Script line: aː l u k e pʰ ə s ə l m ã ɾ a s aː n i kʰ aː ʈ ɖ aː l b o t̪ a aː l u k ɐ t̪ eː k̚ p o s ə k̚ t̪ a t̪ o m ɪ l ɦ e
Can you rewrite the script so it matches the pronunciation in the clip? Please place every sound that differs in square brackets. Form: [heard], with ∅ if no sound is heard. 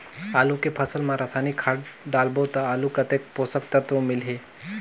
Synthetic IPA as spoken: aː l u k e pʰ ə s ə l m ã ɾ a s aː n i kʰ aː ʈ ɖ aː l b o t̪ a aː l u k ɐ t̪ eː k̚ p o s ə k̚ t̪ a t̪ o m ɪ l ɦ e